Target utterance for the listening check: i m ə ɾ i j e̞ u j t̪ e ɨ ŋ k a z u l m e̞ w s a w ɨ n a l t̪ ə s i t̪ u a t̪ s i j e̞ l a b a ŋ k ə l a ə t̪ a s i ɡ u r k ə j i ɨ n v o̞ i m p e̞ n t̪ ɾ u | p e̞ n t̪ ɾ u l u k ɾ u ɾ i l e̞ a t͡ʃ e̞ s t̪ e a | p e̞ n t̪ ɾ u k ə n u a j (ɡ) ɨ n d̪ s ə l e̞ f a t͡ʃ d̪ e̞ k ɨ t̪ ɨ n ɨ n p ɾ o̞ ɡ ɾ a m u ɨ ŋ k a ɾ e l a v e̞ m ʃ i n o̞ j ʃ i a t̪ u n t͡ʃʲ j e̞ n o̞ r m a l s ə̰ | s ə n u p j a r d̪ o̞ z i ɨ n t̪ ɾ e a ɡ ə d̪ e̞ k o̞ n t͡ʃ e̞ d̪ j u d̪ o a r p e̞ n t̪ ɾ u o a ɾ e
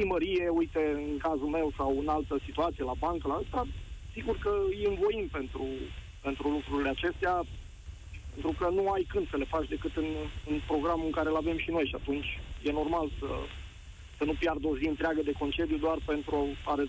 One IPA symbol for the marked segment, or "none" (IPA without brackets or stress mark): k